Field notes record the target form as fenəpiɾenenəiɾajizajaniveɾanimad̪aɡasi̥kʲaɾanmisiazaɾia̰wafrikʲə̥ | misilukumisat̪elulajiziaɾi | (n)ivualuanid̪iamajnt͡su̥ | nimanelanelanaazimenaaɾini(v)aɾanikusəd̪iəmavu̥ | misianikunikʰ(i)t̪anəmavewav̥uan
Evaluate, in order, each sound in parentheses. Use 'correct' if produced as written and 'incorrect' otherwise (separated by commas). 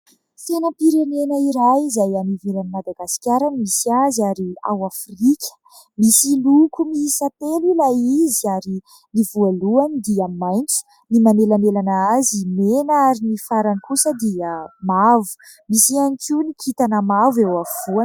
correct, incorrect, correct